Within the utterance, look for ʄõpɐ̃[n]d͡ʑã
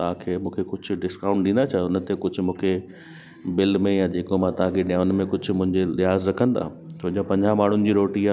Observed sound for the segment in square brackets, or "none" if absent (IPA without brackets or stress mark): ɲ